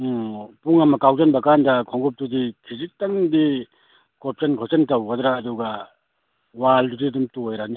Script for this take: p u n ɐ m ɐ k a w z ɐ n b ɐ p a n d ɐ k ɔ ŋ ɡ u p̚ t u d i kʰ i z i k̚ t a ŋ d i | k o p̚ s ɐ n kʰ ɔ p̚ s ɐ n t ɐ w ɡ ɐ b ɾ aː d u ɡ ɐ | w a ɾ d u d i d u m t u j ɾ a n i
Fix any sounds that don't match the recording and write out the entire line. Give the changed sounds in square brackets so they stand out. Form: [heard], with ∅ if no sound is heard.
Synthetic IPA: p u [ŋ] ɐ m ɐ k a w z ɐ n b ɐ [k] a n d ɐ [kʰ] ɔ ŋ ɡ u p̚ t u d i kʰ i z i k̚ t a ŋ d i | k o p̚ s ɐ n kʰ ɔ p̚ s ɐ n t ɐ w ɡ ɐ [d] ɾ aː d u ɡ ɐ | w a [l] d u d i d u m t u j ɾ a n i